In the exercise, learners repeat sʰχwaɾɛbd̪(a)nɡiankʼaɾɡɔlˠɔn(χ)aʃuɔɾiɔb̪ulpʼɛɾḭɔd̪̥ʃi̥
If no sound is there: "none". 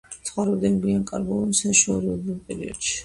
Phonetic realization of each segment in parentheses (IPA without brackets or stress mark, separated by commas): ɛ, s